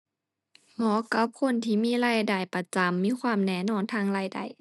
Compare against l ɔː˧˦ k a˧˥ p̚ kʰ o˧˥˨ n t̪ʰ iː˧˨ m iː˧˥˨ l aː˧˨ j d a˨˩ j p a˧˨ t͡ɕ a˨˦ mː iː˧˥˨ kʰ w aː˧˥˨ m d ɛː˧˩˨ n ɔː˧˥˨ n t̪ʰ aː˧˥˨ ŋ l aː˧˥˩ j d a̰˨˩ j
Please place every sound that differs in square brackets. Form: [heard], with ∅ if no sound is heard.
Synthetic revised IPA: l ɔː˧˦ k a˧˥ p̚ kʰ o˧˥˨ n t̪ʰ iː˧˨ m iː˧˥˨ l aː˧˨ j d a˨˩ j p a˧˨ t͡ɕ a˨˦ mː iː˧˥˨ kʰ w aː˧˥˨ m [n] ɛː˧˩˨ n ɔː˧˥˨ n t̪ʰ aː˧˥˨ ŋ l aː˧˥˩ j d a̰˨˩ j